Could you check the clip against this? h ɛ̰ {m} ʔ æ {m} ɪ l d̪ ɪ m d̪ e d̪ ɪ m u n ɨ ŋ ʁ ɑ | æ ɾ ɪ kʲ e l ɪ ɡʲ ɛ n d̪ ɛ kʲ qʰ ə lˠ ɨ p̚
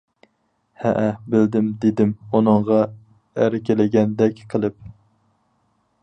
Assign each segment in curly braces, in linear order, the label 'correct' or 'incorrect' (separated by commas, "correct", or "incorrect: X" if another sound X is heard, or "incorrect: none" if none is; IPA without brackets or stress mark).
incorrect: none, incorrect: b